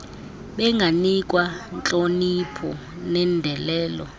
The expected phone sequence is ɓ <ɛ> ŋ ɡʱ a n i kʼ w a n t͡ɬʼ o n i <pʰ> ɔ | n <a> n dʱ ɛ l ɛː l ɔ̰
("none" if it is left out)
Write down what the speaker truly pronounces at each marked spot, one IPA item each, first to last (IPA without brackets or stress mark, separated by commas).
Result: ɛ, pʰ, ɛ